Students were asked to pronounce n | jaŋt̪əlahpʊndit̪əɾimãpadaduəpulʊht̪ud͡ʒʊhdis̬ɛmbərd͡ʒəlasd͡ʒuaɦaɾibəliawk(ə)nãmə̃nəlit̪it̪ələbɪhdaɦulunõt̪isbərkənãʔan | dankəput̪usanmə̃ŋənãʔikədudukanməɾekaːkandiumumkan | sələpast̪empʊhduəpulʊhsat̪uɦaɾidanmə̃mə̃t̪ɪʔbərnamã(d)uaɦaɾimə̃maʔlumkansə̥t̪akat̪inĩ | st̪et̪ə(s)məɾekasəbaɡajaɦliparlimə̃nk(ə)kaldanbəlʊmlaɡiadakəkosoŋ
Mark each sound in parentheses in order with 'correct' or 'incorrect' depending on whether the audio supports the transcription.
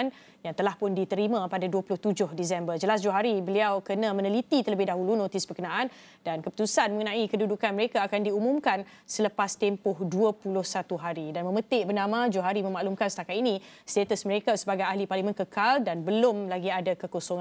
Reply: correct, incorrect, correct, correct

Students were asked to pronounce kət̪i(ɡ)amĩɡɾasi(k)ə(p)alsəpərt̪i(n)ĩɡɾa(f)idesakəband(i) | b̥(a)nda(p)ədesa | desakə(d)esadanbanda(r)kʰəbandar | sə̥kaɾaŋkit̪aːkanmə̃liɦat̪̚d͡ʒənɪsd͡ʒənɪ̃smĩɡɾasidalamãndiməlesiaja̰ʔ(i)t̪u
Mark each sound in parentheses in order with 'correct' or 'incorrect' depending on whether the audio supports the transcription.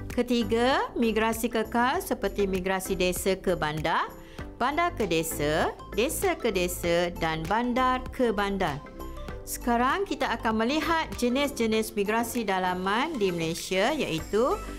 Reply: correct, correct, incorrect, incorrect, incorrect, incorrect, correct, incorrect, correct, correct, correct

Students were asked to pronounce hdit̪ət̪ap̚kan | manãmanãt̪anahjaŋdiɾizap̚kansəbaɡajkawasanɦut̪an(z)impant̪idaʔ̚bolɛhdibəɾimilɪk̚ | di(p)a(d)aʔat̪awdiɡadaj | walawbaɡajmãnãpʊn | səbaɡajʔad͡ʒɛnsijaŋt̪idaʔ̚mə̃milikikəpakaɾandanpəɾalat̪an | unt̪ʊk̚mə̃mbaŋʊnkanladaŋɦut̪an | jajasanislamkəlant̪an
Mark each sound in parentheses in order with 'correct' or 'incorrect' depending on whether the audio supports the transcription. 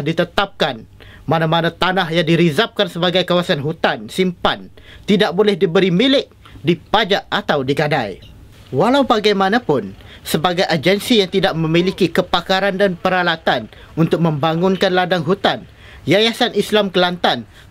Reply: incorrect, correct, incorrect

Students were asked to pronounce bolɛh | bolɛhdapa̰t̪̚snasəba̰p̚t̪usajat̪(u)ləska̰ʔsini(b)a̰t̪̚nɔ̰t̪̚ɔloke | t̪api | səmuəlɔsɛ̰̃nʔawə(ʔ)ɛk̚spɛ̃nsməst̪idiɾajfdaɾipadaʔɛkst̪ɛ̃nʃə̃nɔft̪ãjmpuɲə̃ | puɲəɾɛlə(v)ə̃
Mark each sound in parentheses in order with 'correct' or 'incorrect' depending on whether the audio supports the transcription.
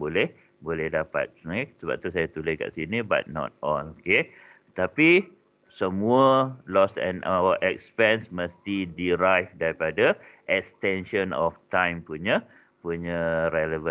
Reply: correct, correct, correct, correct

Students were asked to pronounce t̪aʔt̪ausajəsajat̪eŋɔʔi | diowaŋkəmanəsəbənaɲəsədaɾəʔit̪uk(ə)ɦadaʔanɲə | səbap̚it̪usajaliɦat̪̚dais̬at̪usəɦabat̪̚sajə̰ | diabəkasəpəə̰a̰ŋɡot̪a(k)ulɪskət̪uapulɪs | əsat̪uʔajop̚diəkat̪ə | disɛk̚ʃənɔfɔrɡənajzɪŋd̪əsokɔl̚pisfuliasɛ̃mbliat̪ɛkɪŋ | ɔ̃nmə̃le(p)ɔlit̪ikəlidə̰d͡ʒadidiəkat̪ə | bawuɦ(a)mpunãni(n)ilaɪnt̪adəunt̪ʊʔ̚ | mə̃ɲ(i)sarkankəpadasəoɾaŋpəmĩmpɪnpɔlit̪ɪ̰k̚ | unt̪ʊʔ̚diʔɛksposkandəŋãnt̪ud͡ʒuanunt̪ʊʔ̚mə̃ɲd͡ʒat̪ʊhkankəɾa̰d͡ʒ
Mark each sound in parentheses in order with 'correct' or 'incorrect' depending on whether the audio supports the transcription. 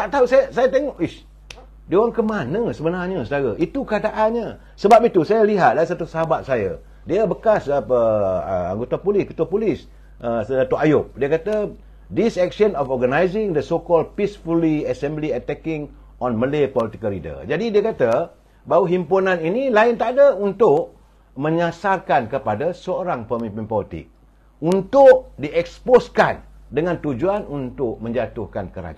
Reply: correct, incorrect, correct, incorrect, correct, incorrect

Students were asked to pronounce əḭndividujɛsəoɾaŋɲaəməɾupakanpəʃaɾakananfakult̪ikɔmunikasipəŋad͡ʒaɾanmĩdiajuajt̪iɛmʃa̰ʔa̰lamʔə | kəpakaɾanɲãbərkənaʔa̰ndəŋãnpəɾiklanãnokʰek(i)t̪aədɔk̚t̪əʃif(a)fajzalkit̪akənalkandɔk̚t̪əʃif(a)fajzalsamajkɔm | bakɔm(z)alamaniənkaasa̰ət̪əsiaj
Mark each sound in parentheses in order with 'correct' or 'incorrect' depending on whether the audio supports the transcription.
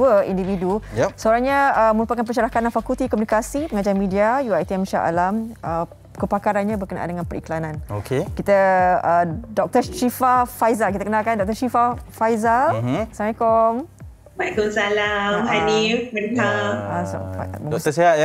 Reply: correct, correct, correct, incorrect

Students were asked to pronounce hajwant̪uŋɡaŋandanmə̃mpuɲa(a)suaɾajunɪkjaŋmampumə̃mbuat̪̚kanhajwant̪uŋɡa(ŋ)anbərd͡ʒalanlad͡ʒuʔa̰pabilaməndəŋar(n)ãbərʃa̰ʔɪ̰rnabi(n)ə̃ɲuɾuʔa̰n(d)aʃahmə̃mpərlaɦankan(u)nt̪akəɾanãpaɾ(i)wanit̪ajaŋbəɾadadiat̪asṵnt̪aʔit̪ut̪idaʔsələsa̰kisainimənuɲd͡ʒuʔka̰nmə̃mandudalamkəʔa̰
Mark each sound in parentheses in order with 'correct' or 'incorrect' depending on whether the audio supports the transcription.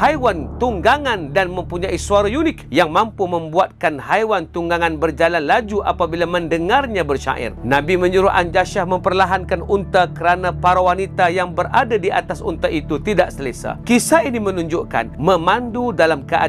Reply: incorrect, correct, incorrect, incorrect, incorrect, correct, incorrect

